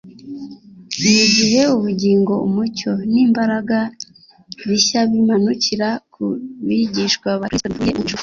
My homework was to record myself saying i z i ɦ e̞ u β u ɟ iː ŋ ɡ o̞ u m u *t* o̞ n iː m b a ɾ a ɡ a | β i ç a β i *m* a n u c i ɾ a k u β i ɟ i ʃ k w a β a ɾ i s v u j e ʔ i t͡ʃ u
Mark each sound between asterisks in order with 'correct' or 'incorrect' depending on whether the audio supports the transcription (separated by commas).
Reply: incorrect, correct